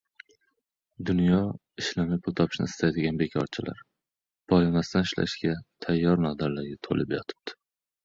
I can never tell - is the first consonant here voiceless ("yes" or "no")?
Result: no